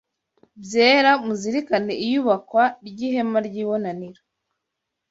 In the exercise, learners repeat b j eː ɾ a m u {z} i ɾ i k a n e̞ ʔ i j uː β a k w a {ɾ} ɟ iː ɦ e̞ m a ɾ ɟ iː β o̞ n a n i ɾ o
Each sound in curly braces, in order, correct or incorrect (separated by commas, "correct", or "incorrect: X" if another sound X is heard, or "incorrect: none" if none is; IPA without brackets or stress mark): correct, correct